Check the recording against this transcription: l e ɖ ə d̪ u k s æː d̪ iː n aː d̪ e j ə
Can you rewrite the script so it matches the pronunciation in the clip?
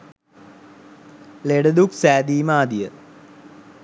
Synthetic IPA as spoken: l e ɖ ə d̪ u k s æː d̪ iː m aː d̪ i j ə